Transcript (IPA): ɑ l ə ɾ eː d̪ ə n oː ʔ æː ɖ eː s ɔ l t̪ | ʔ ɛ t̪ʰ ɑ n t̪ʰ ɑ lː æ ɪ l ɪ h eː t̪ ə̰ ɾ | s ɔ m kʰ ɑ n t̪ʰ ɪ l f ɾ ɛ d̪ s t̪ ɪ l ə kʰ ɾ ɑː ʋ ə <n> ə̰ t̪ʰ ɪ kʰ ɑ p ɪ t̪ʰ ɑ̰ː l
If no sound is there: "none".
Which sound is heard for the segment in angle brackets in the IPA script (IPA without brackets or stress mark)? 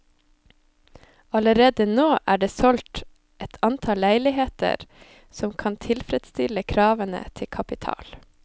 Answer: n